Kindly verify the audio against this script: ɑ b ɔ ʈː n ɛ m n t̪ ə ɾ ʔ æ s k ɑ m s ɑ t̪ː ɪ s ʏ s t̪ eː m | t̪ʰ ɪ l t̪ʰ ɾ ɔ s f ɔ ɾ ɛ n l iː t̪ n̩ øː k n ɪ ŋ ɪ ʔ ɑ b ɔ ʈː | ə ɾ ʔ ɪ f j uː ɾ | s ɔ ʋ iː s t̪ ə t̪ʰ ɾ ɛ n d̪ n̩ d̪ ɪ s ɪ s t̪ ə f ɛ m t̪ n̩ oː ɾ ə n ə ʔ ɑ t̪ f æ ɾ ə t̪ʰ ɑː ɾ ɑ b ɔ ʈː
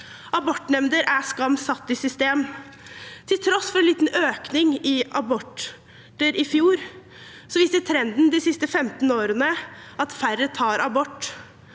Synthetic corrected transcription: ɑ b ɔ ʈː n ɛ m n d̪ ə ɾ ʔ æ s k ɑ m s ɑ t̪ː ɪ s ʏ s t̪ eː m | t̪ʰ ɪ l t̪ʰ ɾ ɔ s f ɔ ɾ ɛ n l iː t̪ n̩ øː k n ɪ ŋ ɪ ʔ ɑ b ɔ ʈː | ə ɾ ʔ ɪ f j uː ɾ | s ɔ ʋ iː s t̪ ə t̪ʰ ɾ ɛ n d̪ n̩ d̪ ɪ s ɪ s t̪ ə f ɛ m t̪ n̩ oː ɾ ə n ə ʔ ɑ t̪ f æ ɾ ə t̪ʰ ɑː ɾ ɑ b ɔ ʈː